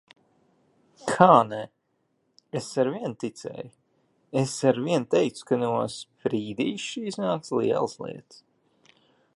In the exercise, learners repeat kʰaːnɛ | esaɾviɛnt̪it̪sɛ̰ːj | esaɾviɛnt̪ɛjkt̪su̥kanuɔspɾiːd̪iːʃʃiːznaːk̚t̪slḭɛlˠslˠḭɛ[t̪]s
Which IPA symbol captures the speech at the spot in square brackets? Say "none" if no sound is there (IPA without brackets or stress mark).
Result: t̪